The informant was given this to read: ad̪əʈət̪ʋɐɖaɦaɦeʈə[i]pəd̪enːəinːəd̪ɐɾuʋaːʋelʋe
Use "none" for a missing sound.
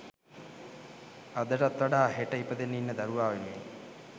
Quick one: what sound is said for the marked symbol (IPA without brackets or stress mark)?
i